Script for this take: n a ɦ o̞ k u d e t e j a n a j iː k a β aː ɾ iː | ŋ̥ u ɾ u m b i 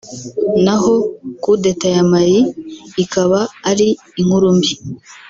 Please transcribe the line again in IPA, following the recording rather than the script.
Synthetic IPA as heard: n a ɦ o̞ k u d e t a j a m a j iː k a β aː ɾ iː | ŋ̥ u ɾ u m b i